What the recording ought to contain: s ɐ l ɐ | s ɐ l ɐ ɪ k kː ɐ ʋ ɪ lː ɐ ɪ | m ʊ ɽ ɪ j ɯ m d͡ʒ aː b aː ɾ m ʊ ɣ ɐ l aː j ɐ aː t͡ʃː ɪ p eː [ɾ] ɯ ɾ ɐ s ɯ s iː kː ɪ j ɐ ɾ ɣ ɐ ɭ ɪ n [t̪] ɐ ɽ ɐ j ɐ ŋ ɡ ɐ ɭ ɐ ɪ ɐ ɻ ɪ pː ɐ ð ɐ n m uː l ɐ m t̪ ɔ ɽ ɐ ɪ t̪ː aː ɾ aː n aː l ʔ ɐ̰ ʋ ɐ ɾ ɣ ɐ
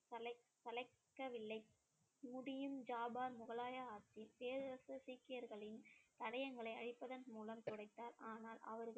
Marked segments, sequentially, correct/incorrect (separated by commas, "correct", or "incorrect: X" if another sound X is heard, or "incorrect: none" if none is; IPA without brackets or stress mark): correct, correct